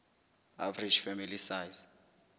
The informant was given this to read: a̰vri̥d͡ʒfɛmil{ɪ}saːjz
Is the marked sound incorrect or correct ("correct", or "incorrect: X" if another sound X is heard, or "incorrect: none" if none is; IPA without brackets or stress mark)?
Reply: incorrect: i